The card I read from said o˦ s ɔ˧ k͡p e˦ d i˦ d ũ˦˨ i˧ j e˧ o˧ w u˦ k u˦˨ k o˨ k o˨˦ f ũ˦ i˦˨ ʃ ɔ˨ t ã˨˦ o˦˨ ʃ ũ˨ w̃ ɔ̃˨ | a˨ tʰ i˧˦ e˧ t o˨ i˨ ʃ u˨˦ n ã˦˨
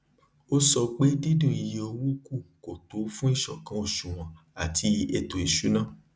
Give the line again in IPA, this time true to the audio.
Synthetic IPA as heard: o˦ s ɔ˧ k͡p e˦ d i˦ d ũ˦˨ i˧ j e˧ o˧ w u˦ k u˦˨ k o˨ t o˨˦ f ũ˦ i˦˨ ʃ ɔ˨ k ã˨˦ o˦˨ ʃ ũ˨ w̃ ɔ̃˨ | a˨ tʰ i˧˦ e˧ t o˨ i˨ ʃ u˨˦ n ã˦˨

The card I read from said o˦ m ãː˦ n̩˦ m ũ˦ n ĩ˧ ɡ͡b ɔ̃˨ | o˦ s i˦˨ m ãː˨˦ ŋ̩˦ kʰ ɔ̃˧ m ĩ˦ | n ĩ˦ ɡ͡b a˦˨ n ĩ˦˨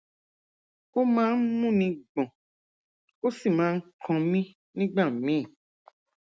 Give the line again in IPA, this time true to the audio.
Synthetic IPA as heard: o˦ m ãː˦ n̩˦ m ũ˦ n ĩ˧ ɡ͡b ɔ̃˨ | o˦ s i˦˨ m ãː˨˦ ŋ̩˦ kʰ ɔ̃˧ m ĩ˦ | n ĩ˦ ɡ͡b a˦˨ m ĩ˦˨

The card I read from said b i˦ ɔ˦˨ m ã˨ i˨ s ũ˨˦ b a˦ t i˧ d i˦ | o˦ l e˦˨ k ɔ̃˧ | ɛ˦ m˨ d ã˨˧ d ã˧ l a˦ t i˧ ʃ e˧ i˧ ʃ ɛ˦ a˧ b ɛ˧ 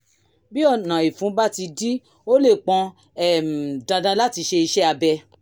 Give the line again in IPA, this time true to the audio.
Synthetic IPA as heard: b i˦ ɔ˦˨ n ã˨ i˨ f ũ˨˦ b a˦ t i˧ d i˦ | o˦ l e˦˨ k͡p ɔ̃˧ | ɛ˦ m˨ d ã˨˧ d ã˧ l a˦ t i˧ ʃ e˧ i˧ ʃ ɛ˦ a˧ b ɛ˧

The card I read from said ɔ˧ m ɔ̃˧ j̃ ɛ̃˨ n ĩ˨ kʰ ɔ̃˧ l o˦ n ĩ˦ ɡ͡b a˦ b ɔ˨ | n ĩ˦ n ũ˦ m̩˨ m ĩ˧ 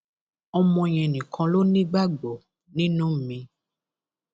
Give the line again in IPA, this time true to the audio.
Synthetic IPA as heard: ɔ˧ m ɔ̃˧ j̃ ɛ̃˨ n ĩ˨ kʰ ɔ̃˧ l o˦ n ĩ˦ ɡ͡b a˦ ɡ͡b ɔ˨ | n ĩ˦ n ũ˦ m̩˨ m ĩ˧

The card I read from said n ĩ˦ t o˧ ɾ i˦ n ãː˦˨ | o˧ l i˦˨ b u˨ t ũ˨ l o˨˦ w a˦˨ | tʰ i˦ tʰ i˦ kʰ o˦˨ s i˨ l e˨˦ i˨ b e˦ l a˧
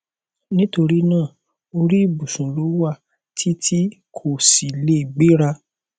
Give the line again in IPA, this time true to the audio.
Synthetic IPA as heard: n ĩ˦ t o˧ ɾ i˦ n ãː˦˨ | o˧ ɾ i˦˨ b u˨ s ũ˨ l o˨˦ w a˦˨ | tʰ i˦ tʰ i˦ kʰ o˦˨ s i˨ l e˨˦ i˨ ɡ͡b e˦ ɾ a˧

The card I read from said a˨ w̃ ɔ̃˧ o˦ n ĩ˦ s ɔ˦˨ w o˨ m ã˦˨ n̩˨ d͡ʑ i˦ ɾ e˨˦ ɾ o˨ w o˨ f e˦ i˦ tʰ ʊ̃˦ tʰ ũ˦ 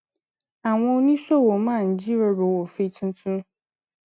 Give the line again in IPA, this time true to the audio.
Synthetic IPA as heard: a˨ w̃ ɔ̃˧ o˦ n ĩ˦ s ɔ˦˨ w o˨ m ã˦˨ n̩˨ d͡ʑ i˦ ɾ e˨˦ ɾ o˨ w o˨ f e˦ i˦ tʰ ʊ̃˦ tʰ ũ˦

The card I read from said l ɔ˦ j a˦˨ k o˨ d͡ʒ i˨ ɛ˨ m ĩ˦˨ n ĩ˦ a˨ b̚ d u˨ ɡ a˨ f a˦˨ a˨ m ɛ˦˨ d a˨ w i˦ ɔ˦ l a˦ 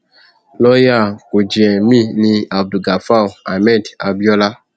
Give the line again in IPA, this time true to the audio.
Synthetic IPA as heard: l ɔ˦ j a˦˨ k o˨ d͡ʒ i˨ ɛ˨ m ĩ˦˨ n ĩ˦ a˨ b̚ d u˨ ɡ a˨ f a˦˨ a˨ m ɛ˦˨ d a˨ b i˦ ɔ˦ l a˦

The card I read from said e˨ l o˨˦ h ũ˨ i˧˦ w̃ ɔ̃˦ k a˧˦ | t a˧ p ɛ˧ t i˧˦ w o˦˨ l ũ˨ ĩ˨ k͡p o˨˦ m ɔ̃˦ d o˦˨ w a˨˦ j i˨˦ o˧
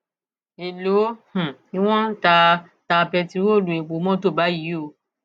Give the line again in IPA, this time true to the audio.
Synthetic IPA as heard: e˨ l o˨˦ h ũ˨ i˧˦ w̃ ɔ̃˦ t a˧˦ | t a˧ p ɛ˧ t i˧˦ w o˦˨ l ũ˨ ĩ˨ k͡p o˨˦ m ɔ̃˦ t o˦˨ b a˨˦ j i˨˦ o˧

